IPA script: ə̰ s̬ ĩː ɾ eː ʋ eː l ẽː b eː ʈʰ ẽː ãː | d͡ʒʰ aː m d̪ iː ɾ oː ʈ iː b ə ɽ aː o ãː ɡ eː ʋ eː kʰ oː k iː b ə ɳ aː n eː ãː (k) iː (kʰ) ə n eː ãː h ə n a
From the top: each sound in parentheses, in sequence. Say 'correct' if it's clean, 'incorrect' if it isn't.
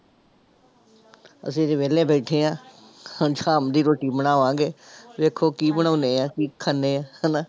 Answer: correct, correct

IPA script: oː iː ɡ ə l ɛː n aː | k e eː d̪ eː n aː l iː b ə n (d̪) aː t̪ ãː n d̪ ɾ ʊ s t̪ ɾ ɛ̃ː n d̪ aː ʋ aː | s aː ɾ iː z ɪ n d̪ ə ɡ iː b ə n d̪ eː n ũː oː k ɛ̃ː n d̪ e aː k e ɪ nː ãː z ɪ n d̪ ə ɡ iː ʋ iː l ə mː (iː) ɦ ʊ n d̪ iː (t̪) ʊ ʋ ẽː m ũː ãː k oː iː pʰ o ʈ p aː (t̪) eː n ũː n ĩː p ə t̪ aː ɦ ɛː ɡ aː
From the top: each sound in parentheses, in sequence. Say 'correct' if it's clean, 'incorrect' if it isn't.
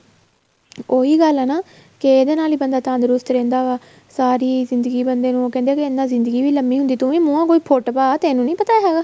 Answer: correct, correct, correct, correct

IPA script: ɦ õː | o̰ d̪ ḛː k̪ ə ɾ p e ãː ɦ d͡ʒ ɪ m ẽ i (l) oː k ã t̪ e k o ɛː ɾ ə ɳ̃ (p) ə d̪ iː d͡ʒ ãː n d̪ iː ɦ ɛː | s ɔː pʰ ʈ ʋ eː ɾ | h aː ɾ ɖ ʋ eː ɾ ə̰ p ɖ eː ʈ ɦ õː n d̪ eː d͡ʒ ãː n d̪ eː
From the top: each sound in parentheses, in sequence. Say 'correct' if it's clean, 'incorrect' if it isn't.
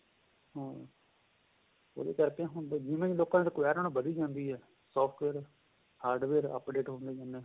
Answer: correct, incorrect

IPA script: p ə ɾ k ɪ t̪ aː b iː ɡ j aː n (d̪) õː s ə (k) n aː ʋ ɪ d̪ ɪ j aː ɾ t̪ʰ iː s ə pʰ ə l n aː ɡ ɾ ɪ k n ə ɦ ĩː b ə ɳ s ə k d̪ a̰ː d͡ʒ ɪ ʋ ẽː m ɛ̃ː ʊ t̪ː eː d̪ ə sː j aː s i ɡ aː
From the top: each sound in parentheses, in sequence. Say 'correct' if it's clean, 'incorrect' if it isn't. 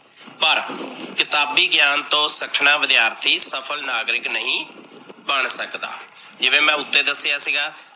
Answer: incorrect, incorrect

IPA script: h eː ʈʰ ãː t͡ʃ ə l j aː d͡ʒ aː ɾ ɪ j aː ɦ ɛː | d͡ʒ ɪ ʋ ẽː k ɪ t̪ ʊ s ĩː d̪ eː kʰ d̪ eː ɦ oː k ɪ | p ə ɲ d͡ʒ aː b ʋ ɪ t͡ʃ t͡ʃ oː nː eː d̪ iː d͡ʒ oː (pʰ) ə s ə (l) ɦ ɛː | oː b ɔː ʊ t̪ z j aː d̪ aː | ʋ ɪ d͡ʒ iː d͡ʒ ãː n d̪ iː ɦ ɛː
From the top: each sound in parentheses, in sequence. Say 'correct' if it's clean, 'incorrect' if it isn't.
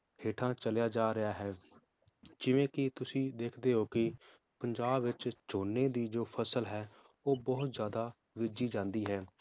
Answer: correct, correct

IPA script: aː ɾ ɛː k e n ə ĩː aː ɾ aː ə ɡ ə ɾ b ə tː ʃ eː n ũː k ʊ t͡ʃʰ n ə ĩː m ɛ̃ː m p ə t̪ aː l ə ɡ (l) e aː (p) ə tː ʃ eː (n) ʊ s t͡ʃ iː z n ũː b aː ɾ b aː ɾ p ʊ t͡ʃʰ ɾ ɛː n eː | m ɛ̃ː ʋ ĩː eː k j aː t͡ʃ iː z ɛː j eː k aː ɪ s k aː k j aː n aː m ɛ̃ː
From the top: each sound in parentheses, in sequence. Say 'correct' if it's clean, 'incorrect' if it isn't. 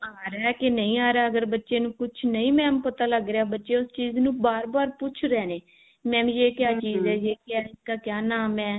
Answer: incorrect, incorrect, incorrect

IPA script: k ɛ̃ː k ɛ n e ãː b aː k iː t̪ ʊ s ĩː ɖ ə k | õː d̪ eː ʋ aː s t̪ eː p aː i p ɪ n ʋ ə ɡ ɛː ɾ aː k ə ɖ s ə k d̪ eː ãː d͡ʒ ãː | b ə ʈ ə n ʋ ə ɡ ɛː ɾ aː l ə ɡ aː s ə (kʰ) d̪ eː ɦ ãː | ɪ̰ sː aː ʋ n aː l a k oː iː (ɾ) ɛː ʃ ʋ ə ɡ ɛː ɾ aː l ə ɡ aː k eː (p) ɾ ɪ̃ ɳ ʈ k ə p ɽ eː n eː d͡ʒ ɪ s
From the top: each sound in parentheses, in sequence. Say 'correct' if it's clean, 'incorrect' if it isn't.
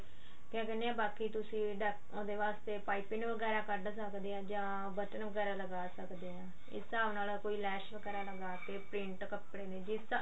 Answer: incorrect, incorrect, correct

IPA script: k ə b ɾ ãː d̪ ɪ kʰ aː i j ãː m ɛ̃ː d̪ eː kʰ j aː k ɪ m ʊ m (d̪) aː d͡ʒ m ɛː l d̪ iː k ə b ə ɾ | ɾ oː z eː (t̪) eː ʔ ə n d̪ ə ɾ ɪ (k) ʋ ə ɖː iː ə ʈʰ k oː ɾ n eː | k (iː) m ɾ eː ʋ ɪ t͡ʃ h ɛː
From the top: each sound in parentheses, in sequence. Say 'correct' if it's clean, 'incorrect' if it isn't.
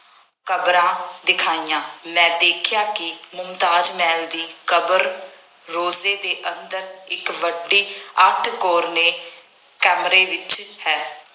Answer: incorrect, incorrect, correct, incorrect

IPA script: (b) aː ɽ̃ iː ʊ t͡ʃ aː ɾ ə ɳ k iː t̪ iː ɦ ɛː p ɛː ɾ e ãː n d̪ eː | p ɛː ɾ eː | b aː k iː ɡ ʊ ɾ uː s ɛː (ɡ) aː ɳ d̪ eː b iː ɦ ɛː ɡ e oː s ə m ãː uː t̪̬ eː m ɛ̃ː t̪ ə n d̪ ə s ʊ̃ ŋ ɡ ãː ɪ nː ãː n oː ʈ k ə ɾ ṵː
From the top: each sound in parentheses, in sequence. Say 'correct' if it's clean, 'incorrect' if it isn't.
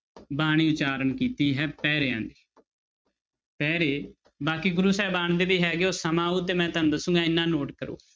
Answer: correct, incorrect

